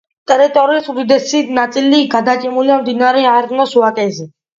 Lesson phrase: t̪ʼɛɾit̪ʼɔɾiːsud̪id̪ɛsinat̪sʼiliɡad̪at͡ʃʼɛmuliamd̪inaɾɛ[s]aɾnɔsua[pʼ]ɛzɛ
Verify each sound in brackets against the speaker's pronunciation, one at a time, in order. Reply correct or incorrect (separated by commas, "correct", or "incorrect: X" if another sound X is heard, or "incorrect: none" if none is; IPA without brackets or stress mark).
incorrect: none, incorrect: kʼ